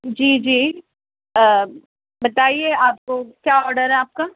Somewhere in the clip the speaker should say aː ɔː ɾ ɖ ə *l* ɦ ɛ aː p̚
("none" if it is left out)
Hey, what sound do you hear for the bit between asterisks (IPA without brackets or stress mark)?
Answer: ɾ